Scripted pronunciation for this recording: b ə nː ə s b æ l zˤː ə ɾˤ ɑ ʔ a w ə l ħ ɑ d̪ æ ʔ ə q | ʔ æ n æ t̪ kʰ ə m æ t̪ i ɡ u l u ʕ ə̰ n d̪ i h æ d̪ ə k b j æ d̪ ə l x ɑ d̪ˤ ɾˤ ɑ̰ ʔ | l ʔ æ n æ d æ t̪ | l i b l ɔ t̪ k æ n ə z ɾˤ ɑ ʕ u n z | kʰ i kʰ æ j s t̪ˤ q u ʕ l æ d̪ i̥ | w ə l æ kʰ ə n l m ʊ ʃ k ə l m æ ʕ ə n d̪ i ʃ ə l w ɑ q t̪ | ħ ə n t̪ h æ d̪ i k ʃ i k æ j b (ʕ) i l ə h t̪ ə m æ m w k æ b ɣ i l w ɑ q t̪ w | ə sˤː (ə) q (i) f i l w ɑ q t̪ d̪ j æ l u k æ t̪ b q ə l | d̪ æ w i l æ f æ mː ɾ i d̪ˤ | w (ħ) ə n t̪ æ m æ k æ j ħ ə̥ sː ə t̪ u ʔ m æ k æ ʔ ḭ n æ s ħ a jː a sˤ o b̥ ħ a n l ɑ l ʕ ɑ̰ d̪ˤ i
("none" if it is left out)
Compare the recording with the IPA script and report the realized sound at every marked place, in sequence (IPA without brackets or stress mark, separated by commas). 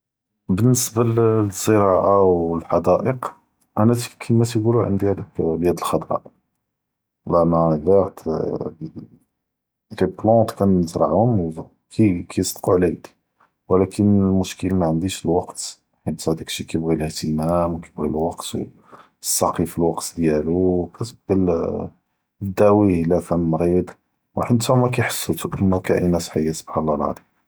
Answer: ɣ, ɑ, i, ħ